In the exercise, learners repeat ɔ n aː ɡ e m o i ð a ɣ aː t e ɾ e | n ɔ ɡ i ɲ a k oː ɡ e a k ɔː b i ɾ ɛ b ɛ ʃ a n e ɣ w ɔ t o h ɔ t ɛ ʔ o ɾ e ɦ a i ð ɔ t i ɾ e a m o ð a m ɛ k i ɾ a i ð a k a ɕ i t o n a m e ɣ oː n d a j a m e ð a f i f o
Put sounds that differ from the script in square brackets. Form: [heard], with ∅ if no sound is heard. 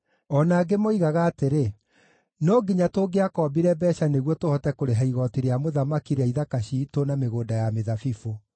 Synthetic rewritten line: ɔ n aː ɡ e m o i [ɣ] a ɣ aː t e ɾ e | n ɔ ɡ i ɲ a [t] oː ɡ e a k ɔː b i ɾ ɛ b ɛ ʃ a n e ɣ w ɔ t o h ɔ t ɛ [k] o ɾ e ɦ a i [ɣ] ɔ t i ɾ e a m o ð a m [a] k i ɾ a i ð a k a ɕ i t o n a m e ɣ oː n d a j a m e ð a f i f o